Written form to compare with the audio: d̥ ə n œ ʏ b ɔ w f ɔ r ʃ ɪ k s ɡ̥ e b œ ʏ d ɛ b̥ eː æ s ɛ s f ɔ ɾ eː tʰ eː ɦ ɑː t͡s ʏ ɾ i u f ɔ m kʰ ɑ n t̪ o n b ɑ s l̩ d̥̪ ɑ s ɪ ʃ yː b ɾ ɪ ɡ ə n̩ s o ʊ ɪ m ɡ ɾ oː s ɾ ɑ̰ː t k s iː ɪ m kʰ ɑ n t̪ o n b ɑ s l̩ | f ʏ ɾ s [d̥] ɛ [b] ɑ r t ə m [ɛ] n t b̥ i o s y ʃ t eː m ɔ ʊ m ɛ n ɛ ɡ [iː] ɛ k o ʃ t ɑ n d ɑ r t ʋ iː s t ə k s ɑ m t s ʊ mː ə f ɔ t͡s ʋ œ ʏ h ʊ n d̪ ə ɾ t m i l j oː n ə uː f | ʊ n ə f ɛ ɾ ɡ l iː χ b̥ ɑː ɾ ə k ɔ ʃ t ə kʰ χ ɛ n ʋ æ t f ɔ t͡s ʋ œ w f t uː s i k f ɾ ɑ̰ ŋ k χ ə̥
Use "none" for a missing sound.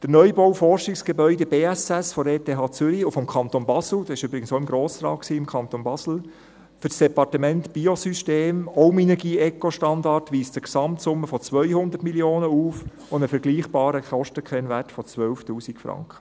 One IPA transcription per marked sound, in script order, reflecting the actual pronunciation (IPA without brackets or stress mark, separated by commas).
d̥, p, ɛ, iː